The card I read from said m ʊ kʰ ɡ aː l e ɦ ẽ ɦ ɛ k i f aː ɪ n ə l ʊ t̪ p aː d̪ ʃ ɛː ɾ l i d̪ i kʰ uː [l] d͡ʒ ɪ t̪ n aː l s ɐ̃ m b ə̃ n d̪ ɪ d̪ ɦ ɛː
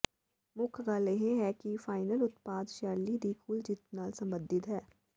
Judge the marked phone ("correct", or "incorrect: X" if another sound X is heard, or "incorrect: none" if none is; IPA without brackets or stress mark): correct